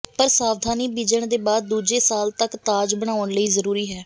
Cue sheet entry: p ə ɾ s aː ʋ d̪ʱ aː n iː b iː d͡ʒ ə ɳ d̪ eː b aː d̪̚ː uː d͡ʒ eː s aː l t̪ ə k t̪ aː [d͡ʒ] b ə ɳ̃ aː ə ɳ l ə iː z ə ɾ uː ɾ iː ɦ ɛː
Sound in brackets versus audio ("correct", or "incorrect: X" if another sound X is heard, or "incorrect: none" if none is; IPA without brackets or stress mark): correct